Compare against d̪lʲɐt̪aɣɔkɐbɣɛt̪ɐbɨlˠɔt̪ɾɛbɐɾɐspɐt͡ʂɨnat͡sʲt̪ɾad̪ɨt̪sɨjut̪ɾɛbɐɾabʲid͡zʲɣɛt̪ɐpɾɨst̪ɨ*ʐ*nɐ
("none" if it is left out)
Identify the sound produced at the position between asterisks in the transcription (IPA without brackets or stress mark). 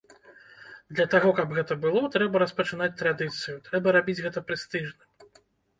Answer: ʐ